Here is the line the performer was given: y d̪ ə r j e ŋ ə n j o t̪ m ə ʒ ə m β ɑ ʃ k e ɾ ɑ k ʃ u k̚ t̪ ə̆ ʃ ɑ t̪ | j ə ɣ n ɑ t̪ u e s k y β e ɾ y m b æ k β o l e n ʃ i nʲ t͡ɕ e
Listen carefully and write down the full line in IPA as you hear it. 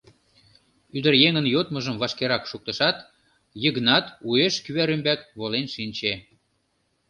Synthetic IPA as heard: y d̪ ə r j e ŋ ə n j o t̪ m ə ʒ ə m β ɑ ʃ k e ɾ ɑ k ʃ u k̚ t̪ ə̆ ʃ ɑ t̪ | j ə ɣ n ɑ t̪ u e ʃ k y β æ ɾ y m b æ k β o l e n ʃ i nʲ t͡ɕ e